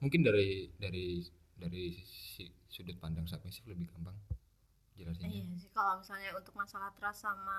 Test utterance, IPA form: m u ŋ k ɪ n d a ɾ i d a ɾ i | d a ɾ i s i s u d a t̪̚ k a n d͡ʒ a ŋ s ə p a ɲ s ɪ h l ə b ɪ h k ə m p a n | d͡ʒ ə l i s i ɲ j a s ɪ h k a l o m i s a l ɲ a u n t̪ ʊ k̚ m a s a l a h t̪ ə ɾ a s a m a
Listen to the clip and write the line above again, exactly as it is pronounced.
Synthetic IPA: m u ŋ k ɪ n d a ɾ i d a ɾ i | d a ɾ i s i s u d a t̪̚ p a n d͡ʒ a ŋ s a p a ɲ s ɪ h l ə b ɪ h k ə m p a ŋ | d͡ʒ ə l a s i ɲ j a s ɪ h k a l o m i s a l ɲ a u n t̪ ʊ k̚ m a s a l a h t̪ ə ɾ a s a m a